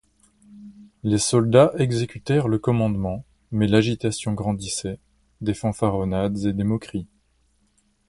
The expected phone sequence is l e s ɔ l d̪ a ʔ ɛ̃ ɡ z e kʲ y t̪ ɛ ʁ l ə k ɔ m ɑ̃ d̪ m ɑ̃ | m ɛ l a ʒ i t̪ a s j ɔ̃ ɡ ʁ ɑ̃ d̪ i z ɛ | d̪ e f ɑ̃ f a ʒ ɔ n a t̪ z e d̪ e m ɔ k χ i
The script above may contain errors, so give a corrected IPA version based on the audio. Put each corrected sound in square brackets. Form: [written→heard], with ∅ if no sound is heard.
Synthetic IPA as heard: l e s ɔ l d̪ a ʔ [ɛ̃→ɛ] ɡ z e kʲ y t̪ ɛ ʁ l ə k ɔ m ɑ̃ d̪ m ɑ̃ | m ɛ l a ʒ i t̪ a s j ɔ̃ ɡ ʁ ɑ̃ d̪ i [z→s] ɛ | d̪ e f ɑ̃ f a [ʒ→ʁ] ɔ n a [t̪→d̪] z e d̪ e m ɔ k χ i